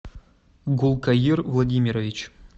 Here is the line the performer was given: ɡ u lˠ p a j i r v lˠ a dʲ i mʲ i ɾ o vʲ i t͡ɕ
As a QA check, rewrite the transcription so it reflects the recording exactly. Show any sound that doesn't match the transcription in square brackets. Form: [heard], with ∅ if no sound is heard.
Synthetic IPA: ɡ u lˠ [k] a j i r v lˠ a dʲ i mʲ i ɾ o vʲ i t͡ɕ